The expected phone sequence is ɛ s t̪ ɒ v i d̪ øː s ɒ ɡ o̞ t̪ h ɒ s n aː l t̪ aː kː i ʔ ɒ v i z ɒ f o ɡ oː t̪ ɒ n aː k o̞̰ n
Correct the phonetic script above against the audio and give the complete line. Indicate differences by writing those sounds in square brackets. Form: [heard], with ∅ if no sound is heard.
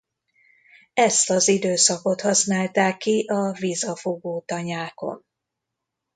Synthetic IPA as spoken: ɛ s t̪ ɒ [z] i d̪ øː s ɒ [k] o̞ t̪ h ɒ s n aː l t̪ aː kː i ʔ ɒ v i z ɒ f o ɡ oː t̪ ɒ [ɲ] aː k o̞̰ n